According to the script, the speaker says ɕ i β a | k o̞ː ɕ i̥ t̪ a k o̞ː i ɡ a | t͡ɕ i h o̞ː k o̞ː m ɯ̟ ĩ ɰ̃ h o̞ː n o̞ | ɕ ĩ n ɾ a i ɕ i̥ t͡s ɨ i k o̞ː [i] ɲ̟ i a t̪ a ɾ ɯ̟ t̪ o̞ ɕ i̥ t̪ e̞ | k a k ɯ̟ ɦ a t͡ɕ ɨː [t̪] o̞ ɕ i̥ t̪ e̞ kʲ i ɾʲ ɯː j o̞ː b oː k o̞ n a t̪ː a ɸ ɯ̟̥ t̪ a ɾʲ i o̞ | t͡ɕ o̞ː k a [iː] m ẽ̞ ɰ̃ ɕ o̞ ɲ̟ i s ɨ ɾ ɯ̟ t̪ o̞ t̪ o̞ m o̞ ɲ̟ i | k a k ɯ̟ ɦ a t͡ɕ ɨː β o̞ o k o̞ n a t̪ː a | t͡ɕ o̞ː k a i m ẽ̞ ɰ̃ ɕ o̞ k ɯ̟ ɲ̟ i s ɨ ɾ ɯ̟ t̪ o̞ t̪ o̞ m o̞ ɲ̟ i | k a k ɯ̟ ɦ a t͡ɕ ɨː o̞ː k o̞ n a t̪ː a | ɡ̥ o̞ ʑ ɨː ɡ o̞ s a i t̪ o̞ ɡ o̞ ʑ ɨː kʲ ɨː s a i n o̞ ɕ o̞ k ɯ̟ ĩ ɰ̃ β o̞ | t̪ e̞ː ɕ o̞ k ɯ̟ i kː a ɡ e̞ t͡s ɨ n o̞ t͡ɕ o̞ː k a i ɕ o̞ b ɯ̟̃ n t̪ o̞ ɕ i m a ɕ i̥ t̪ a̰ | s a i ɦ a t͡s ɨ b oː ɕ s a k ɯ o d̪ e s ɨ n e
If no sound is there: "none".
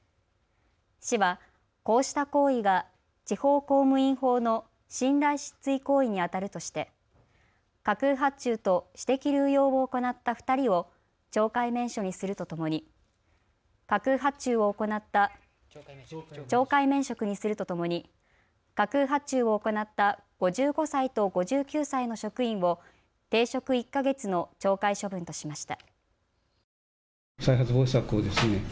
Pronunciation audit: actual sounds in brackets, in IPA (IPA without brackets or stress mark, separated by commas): i, t̪, i